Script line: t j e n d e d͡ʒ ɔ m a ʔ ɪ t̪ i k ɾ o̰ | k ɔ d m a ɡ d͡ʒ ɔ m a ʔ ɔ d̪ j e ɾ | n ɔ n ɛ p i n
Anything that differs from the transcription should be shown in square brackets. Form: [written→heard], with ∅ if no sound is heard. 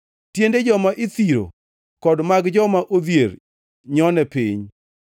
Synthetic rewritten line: t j e n d e d͡ʒ ɔ m a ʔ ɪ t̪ i [k→∅] ɾ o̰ | k ɔ d m a ɡ d͡ʒ ɔ m a ʔ [ɔ→o] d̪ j e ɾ | [n→ɲ] ɔ n ɛ p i [n→ɲ]